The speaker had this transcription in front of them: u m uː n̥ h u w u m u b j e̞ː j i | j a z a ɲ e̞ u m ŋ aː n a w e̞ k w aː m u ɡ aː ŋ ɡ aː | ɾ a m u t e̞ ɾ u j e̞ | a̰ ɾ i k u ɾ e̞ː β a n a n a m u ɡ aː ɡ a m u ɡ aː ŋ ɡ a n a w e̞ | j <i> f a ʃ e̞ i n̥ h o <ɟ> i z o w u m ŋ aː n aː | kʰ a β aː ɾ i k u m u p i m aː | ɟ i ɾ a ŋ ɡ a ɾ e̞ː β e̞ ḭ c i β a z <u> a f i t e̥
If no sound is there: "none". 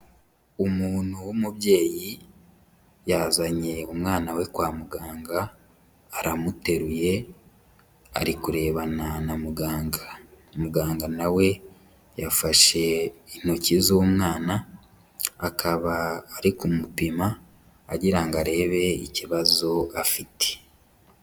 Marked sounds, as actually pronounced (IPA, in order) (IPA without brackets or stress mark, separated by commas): a, c, o